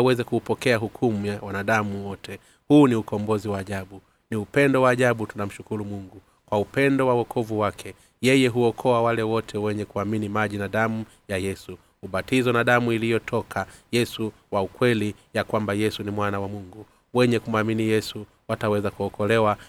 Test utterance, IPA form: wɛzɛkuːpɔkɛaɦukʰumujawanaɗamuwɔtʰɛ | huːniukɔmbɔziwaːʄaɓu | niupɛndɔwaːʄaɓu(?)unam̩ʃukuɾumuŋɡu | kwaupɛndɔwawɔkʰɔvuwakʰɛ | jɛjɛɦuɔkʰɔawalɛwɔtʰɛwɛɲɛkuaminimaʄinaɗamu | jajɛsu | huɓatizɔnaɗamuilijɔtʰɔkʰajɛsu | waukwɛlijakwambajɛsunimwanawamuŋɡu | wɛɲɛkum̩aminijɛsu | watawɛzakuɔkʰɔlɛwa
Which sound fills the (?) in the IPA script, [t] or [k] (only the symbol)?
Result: t